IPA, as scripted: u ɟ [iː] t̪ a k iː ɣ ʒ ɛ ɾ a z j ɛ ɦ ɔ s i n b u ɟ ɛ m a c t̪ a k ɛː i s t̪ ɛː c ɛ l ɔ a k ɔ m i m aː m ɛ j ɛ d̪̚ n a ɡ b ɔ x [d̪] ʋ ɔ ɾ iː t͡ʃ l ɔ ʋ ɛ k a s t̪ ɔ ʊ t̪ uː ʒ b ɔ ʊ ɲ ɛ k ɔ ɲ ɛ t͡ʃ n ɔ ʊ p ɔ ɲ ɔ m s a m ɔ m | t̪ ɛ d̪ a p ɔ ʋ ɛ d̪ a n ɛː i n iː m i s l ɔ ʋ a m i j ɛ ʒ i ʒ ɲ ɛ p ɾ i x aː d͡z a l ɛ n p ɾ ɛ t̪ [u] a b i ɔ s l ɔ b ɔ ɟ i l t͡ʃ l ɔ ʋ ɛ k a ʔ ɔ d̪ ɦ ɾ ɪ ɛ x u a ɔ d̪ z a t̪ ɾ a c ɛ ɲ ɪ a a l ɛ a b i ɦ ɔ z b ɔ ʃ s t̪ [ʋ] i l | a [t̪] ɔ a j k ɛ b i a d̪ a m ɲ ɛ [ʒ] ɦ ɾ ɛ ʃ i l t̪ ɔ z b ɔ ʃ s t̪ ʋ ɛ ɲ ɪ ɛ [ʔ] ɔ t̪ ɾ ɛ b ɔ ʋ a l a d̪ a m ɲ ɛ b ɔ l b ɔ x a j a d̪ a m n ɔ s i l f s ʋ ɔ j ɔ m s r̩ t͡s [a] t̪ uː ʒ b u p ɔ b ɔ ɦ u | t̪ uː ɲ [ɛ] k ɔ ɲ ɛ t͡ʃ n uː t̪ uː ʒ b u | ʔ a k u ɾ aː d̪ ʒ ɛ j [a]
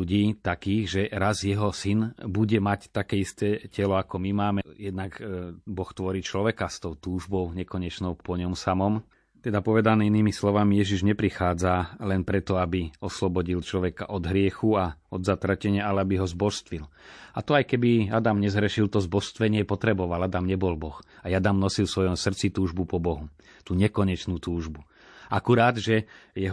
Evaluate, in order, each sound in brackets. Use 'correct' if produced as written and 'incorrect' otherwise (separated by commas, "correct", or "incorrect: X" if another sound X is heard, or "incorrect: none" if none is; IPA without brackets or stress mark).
correct, incorrect: t̪, incorrect: ɔ, correct, correct, incorrect: z, incorrect: p, incorrect: i, correct, incorrect: ɛ